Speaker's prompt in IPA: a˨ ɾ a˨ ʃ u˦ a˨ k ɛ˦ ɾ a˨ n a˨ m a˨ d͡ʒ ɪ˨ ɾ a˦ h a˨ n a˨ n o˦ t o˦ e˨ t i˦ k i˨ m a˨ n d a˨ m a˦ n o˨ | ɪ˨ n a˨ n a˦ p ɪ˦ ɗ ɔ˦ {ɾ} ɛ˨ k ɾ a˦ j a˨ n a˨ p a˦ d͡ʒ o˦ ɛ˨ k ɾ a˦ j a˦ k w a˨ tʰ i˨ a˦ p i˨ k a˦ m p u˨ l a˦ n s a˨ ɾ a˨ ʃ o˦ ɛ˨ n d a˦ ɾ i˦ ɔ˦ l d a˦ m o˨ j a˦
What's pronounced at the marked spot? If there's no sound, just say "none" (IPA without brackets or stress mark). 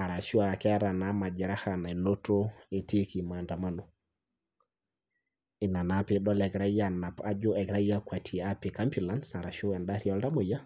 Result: l